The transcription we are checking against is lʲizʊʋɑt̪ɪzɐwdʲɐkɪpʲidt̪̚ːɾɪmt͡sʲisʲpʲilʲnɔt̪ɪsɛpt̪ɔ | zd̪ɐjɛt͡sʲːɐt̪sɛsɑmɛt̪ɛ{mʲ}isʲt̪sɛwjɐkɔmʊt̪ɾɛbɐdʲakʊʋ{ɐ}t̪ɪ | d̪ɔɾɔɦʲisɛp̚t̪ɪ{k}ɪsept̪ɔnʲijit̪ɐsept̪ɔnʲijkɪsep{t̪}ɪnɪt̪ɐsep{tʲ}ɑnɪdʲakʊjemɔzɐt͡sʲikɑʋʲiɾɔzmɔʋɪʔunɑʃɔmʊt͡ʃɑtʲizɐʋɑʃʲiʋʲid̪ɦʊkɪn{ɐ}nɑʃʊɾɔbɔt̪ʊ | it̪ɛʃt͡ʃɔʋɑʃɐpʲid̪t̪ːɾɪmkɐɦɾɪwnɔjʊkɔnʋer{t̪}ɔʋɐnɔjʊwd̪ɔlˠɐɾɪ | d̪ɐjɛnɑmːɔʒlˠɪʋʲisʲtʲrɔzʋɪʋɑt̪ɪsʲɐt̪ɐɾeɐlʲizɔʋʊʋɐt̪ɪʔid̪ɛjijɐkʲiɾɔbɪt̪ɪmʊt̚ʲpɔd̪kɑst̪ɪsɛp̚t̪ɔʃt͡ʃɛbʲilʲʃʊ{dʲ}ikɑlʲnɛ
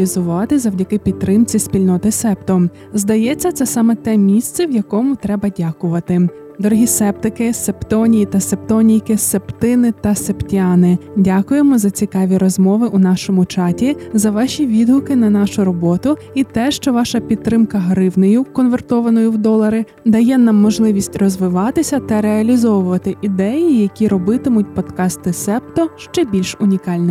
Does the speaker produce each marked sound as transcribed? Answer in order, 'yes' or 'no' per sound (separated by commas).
yes, yes, yes, yes, yes, yes, yes, no